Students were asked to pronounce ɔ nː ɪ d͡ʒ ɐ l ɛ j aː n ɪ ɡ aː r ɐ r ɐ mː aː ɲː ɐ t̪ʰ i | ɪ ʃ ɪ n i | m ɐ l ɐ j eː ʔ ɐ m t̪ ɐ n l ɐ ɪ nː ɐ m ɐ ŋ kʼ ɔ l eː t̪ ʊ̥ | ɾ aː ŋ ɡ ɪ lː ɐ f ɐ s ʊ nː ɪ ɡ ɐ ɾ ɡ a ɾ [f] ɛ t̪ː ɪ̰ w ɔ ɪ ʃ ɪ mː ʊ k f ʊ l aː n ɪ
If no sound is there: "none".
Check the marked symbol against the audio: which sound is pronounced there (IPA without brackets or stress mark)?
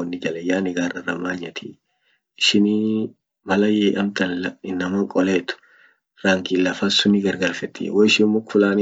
f